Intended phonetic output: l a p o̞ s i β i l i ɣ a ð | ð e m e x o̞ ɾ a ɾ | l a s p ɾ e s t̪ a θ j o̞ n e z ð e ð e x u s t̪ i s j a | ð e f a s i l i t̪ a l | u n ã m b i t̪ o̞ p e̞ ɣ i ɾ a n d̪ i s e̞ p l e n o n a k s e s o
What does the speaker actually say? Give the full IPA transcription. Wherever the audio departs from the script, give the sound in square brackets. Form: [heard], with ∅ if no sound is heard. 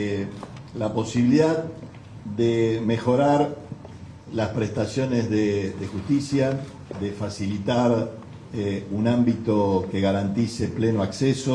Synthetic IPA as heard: l a p o̞ s i β i l i [ð] a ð | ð e m e x o̞ ɾ a ɾ | l a s p ɾ e s t̪ a [s] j o̞ n e z ð e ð e x u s t̪ i s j a | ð e f a s i l i t̪ a [ɾ] | u n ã m b i t̪ o̞ [k] e̞ ɣ [a] ɾ a n [t̪] i s e̞ p l e n o [∅] a k s e s o